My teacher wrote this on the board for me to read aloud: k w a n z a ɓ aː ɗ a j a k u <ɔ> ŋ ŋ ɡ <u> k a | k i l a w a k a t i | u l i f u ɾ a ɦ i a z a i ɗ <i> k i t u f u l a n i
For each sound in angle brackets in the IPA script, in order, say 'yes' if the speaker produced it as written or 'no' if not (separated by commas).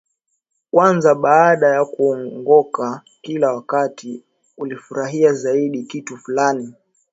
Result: yes, no, yes